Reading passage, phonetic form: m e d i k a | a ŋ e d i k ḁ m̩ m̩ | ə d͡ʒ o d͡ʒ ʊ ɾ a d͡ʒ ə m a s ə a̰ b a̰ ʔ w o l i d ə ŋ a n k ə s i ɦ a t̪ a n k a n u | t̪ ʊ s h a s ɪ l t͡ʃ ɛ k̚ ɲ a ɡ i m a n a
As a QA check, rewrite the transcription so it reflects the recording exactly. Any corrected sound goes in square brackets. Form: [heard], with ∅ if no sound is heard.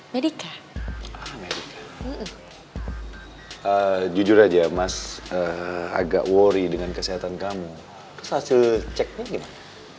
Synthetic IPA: m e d i k a | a [m] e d i k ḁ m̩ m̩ | ə d͡ʒ [u] d͡ʒ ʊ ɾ a d͡ʒ [a] m a s ə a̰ [ɡ] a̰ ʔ w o [ɾ] i d ə ŋ a n k ə s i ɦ a t̪ a n k a [m] u | t̪ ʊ s h a s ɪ l t͡ʃ ɛ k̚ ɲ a ɡ i m a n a